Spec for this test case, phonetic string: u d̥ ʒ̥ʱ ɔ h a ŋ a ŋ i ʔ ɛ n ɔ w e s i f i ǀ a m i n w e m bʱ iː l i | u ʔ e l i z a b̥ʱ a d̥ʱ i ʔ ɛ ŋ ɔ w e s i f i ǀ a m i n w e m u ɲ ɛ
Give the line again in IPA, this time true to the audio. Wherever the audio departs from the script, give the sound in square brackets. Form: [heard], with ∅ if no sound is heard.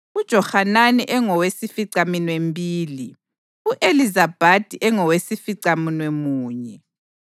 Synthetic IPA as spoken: u d̥ ʒ̥ʱ ɔ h a [n] a [n] i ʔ ɛ [ŋ] ɔ w e s i f i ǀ a m i n w e m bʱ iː l i | u ʔ e l i z a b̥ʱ a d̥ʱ i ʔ ɛ ŋ ɔ w e s i f i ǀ a m i n w e m [uː] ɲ ɛ